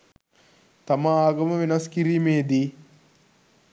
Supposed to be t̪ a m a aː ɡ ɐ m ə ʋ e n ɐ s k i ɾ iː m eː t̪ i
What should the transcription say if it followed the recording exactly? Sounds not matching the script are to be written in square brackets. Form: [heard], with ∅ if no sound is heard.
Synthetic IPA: t̪ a m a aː ɡ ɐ m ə ʋ e n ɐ s k i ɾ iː m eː [d̪] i